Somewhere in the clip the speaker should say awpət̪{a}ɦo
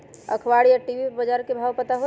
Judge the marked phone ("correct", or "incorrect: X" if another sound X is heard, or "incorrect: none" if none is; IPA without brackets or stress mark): correct